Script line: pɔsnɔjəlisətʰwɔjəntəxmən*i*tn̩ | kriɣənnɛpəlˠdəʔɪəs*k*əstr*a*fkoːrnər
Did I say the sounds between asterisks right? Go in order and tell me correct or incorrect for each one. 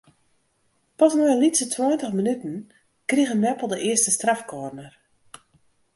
incorrect, incorrect, correct

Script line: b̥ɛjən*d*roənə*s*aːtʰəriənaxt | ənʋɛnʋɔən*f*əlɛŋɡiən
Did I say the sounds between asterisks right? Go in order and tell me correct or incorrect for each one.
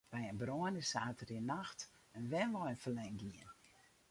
incorrect, correct, correct

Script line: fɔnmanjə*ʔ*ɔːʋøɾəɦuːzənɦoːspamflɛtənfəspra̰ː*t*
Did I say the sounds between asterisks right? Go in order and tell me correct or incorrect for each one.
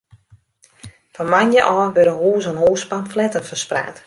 correct, correct

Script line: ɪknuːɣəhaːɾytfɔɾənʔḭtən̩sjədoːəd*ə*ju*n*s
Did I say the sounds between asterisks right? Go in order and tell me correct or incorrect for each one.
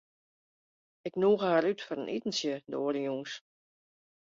correct, incorrect

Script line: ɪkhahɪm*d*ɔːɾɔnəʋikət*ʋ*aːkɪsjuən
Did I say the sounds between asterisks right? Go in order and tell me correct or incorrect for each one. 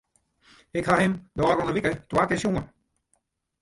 correct, incorrect

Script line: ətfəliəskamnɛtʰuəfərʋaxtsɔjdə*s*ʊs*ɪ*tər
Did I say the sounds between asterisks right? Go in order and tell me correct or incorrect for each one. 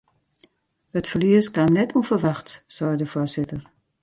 incorrect, correct

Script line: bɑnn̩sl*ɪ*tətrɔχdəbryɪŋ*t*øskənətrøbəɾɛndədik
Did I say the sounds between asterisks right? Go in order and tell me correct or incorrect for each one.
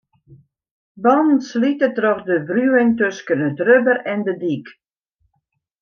incorrect, correct

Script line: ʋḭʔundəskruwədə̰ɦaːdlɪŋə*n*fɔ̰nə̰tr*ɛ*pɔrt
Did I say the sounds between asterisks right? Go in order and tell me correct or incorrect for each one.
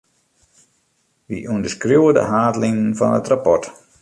correct, incorrect

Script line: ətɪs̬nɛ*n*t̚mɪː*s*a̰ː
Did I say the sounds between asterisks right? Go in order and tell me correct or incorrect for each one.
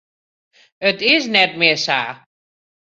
incorrect, correct

